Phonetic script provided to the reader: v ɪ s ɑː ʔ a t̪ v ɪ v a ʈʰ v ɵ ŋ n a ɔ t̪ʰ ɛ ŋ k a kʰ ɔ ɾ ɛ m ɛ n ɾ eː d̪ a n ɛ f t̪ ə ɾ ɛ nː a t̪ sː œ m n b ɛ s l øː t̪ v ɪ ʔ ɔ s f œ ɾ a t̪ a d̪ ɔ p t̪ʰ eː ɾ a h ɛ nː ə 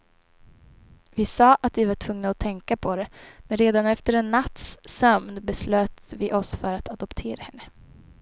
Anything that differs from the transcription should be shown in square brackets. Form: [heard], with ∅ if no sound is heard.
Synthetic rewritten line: v ɪ s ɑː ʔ a t̪ v ɪ v a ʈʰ v ɵ ŋ n a ɔ t̪ʰ ɛ ŋ k a [pʰ] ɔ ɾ ɛ m ɛ n ɾ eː d̪ a n ɛ f t̪ ə ɾ ɛ nː a t̪ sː œ m n b ɛ s l øː t̪ v ɪ ʔ ɔ s f œ ɾ a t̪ a d̪ ɔ p t̪ʰ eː ɾ a h ɛ nː ə